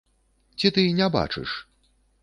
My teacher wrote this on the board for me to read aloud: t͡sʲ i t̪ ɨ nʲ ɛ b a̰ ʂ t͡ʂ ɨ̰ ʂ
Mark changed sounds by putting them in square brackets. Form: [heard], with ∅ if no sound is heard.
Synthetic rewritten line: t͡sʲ i t̪ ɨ nʲ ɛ b a̰ [∅] t͡ʂ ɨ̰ ʂ